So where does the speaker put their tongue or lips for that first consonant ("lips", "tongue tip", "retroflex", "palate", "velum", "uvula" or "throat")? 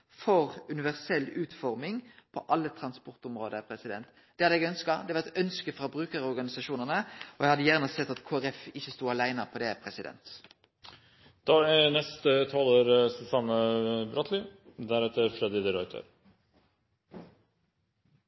lips